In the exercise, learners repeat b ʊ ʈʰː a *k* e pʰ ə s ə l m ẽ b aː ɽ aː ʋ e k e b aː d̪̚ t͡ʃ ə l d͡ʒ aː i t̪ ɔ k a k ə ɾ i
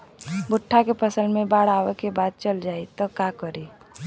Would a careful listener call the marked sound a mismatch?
no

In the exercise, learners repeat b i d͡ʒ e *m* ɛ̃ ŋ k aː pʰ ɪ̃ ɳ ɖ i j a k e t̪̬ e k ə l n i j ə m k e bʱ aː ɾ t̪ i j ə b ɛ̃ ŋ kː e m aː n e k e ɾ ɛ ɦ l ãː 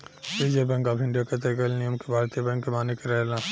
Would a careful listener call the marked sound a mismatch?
yes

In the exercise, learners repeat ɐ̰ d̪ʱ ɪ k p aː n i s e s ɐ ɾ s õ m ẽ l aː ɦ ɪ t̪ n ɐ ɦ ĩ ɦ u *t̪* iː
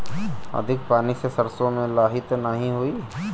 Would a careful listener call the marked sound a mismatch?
yes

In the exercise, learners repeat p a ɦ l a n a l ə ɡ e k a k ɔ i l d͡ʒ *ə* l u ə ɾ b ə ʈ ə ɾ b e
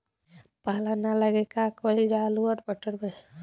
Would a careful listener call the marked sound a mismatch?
yes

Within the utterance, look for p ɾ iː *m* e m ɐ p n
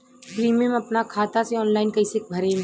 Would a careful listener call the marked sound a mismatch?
no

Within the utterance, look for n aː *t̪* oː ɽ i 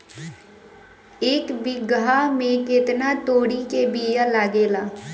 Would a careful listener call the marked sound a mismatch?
no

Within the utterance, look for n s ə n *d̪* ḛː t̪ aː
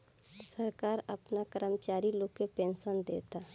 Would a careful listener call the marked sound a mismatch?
no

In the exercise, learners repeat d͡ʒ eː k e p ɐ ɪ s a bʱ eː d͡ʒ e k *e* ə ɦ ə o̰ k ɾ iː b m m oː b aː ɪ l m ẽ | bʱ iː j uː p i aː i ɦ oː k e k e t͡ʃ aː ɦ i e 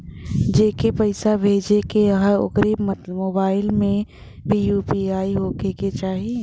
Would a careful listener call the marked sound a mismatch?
no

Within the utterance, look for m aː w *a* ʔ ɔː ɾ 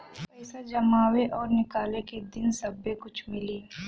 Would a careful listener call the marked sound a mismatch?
yes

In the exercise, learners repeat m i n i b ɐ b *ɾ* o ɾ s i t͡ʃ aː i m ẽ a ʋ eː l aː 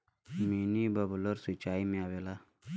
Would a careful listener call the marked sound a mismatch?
yes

